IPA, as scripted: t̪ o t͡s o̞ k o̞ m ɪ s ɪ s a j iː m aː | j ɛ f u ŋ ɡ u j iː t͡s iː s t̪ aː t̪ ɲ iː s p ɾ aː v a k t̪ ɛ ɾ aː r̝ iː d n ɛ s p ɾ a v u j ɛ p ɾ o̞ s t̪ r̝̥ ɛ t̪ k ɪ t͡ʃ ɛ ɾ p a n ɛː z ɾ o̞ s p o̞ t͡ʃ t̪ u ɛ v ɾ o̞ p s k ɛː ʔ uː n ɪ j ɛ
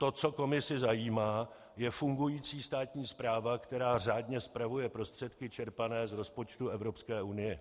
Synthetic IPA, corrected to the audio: t̪ o t͡s o̞ k o̞ m ɪ s ɪ z a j iː m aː | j ɛ f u ŋ ɡ u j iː t͡s iː s t̪ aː t̪ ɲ iː s p ɾ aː v a k t̪ ɛ ɾ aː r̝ aː d ɲ ɛ s p ɾ a v u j ɛ p ɾ o̞ s t̪ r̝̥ ɛ t̪ k ɪ t͡ʃ ɛ ɾ p a n ɛː z ɾ o̞ s p o̞ t͡ʃ t̪ u ɛ v ɾ o̞ p s k ɛː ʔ u n ɪ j ɛ